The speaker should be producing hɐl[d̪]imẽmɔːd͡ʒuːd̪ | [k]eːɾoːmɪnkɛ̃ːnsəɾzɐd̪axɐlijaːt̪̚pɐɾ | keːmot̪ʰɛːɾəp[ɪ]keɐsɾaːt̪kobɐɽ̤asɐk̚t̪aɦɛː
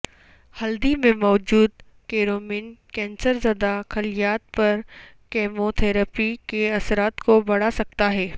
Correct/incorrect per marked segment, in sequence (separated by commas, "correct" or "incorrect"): correct, correct, incorrect